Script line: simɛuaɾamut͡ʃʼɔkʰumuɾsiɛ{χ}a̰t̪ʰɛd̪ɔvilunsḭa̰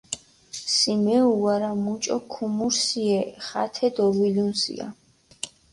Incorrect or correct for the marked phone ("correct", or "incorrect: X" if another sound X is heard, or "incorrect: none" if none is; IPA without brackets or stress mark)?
correct